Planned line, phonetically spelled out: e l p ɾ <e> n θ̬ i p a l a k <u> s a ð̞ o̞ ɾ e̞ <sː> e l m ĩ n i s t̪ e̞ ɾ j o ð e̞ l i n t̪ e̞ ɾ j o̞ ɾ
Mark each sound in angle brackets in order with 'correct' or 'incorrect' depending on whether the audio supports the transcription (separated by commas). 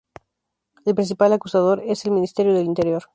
incorrect, correct, incorrect